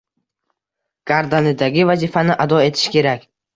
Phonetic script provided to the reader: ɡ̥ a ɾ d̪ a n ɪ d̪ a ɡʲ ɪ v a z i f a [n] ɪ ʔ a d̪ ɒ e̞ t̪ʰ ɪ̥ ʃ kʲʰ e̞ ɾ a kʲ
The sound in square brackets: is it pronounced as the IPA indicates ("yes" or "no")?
yes